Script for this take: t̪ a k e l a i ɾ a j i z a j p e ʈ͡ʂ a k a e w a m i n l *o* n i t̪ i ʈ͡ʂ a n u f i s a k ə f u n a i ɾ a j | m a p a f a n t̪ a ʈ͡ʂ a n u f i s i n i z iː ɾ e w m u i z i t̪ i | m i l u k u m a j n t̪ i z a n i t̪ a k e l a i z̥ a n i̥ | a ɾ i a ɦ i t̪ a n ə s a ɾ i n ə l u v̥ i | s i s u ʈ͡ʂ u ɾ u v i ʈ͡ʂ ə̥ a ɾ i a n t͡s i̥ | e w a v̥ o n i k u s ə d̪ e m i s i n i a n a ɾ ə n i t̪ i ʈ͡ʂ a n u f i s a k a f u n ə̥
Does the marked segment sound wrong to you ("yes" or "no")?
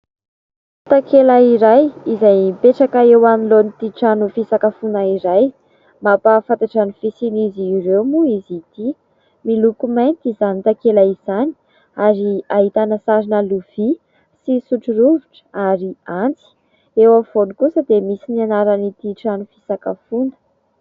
no